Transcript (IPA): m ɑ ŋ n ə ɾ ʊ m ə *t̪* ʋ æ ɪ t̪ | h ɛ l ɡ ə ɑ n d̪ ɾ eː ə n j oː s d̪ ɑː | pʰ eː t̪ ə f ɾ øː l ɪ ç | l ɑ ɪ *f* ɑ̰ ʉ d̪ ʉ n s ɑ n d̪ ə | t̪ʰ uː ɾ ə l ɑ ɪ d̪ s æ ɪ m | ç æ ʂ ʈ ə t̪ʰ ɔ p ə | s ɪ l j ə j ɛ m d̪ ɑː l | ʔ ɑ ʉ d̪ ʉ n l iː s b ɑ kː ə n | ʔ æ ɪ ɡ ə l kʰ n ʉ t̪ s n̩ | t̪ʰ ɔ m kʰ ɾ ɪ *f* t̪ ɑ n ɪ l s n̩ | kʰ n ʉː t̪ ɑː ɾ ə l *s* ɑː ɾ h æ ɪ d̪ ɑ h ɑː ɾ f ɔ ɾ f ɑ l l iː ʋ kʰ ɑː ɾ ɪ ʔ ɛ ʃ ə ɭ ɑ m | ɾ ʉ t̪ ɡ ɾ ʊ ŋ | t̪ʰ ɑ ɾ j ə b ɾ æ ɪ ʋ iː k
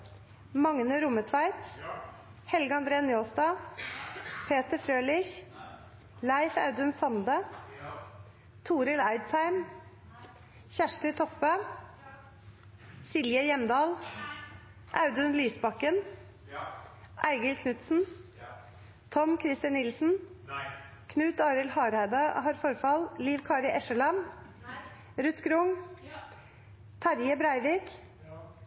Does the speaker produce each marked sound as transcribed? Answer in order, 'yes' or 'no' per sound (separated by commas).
no, yes, no, no